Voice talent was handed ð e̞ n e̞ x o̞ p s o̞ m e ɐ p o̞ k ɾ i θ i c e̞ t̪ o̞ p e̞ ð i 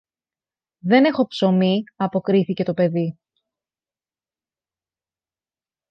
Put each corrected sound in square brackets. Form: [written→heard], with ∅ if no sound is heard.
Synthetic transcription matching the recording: ð e̞ n e̞ x o̞ p s o̞ m [e→i] ɐ p o̞ k ɾ i θ i c e̞ t̪ o̞ p e̞ ð i